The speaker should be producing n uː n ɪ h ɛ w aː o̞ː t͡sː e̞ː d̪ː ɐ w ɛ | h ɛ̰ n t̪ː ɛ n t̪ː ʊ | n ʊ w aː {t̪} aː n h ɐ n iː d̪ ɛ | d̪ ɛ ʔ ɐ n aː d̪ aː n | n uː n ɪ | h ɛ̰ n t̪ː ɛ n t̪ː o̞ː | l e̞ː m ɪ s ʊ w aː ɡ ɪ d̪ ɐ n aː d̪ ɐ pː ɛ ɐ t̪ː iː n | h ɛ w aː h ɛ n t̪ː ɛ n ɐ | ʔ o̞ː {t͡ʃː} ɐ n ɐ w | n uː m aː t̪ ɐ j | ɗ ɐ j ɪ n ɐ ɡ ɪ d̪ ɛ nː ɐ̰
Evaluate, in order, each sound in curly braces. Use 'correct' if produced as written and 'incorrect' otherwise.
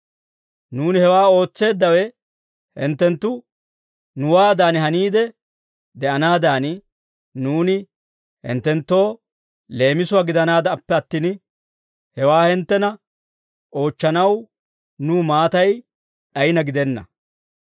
incorrect: d̪, correct

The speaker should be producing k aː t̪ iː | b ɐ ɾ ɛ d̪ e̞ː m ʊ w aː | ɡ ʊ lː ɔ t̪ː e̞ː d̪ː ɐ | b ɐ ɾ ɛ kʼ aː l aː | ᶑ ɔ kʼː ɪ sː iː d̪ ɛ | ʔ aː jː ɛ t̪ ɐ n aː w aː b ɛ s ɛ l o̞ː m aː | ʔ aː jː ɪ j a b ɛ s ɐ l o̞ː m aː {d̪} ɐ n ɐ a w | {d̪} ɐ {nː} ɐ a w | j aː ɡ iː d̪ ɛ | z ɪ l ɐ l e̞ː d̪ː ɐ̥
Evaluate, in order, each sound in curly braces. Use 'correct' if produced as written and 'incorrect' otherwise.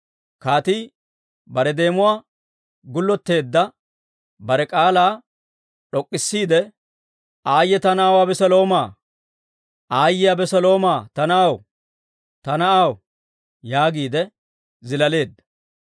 incorrect: t̪, incorrect: t̪, incorrect: n

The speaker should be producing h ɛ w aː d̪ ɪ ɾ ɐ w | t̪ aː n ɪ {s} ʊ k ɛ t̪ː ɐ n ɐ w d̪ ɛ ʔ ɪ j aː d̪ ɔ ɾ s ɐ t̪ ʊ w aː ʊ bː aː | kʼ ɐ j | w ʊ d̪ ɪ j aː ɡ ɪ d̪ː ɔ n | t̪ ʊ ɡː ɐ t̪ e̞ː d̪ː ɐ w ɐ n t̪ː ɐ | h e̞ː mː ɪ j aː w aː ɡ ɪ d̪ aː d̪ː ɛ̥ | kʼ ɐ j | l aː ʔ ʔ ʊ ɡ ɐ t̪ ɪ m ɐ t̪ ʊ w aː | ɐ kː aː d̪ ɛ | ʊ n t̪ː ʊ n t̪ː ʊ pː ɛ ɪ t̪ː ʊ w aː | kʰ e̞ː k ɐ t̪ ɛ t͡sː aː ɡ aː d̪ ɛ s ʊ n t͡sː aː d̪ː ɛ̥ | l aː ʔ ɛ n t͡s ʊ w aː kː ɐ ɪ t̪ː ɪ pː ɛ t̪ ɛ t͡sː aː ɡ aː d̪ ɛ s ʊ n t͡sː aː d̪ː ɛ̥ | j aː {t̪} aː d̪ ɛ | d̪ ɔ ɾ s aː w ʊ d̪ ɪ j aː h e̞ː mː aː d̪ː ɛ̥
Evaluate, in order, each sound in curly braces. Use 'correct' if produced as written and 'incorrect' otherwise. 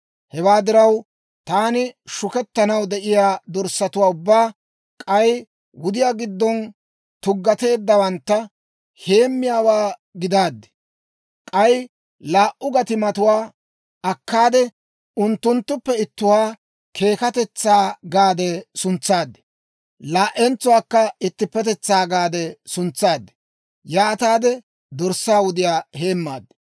incorrect: ʃ, correct

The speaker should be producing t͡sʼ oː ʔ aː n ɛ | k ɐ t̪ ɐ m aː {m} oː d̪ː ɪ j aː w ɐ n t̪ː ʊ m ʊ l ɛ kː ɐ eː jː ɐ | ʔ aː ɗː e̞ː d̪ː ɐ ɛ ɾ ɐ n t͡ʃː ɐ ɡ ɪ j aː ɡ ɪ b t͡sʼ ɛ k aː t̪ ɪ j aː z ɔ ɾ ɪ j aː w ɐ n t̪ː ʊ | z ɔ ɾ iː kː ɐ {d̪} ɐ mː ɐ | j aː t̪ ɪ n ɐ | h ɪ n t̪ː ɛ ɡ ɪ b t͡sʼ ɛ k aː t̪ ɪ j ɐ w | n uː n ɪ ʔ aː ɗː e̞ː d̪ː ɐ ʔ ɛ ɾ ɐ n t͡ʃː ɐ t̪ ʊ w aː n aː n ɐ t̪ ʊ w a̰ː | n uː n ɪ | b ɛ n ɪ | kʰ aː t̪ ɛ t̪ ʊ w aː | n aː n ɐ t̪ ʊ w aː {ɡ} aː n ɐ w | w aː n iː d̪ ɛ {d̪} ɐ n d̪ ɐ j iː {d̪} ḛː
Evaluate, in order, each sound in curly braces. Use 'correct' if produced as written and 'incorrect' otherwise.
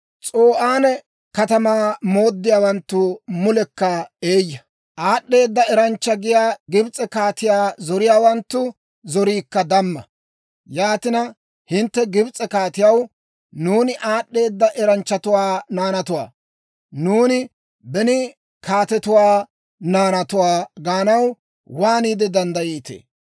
correct, correct, correct, correct, incorrect: t̪

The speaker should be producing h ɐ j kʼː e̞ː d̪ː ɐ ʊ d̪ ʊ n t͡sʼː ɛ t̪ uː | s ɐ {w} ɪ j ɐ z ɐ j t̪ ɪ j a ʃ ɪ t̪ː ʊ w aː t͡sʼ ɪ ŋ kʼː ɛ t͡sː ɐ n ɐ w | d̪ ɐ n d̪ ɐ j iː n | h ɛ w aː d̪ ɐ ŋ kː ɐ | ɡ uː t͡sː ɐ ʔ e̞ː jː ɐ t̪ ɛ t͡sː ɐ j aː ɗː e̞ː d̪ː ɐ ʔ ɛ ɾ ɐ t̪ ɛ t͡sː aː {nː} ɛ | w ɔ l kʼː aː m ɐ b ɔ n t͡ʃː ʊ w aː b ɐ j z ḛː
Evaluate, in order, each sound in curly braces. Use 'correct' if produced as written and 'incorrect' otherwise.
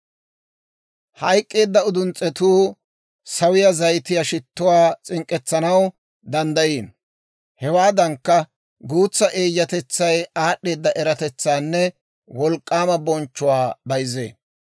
correct, correct

